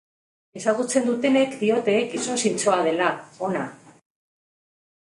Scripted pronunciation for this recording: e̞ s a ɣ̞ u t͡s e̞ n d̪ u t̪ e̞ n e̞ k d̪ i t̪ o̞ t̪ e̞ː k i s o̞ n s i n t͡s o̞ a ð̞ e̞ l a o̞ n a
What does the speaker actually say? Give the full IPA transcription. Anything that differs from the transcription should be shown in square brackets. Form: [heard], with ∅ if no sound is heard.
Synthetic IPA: e̞ s a ɣ̞ u t͡s e̞ n d̪ u t̪ e̞ n e̞ k d̪ i [∅] o̞ t̪ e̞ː k i s o̞ n s i n t͡s o̞ a ð̞ e̞ l a o̞ n a